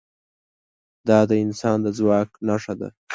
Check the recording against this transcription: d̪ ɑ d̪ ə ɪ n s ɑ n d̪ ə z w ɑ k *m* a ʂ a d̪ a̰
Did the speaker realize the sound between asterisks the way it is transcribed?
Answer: no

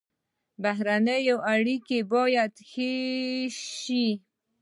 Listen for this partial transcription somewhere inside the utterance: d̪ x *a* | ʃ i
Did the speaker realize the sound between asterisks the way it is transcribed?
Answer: no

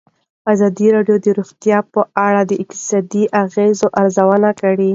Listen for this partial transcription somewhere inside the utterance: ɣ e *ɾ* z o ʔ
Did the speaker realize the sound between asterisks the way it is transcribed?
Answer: no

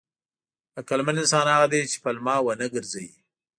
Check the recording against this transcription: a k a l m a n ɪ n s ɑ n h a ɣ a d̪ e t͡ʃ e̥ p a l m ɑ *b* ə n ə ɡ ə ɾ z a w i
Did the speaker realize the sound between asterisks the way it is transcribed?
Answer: no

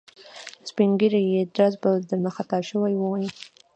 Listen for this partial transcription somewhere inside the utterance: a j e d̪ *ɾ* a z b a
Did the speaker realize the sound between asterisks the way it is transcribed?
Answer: yes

